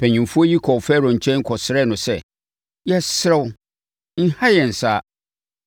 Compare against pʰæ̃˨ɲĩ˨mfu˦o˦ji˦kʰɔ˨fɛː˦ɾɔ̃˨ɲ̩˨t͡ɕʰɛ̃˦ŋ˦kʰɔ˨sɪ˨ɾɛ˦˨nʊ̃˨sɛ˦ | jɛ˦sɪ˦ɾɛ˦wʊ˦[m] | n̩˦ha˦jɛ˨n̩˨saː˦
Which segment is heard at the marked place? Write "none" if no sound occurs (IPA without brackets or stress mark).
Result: none